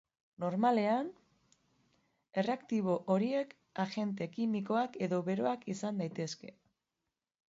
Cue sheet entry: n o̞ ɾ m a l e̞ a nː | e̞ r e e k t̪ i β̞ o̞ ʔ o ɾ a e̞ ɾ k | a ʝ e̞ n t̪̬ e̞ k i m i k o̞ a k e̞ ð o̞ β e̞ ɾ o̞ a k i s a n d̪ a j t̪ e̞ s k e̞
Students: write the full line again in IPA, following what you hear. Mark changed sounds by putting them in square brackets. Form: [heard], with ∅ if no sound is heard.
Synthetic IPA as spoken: n o̞ ɾ m a l e̞ a [n] | e̞ r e [a] k t̪ i β̞ o̞ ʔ o ɾ [i] e̞ [∅] k | a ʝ e̞ n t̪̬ e̞ k i m i k o̞ a k e̞ ð o̞ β e̞ ɾ o̞ a k i s a n d̪ a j t̪ e̞ s k e̞